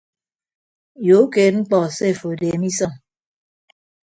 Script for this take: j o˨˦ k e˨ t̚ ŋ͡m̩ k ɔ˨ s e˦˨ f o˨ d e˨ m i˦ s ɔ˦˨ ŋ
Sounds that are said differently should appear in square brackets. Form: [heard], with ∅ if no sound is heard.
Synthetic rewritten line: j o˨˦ k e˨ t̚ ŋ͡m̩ [k͡p] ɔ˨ s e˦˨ f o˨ d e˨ m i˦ s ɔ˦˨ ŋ